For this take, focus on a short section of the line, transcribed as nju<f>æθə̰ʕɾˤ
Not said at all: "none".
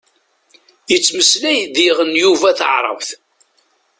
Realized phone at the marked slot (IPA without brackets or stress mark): v